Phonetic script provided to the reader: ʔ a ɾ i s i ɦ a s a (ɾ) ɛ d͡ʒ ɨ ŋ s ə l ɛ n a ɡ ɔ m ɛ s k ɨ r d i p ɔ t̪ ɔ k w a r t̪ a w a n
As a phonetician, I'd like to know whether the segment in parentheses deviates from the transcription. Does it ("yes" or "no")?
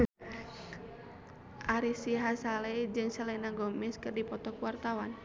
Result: yes